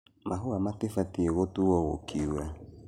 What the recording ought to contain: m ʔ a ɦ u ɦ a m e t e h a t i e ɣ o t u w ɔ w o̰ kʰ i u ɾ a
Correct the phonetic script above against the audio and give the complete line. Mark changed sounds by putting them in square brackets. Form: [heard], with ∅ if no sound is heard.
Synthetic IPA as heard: m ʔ a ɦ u [∅] a m [a] t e [f] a t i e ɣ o t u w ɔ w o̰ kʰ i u ɾ a